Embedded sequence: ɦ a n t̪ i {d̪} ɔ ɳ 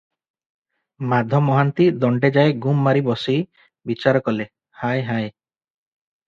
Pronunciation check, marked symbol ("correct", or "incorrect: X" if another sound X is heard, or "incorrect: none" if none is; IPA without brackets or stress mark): correct